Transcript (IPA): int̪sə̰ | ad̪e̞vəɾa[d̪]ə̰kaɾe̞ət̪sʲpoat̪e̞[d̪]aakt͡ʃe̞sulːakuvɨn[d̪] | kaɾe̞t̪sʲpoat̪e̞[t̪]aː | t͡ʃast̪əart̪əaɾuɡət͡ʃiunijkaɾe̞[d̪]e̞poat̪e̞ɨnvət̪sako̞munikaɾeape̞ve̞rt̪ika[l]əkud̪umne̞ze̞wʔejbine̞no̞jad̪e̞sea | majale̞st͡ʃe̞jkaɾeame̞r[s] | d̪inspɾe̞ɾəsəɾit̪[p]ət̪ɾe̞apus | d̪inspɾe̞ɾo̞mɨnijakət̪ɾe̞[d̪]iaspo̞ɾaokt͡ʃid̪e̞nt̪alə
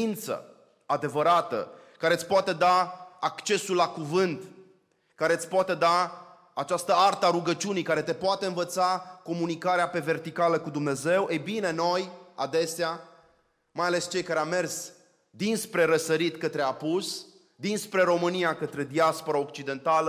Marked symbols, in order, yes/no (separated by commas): no, yes, no, no, no, yes, yes, no, yes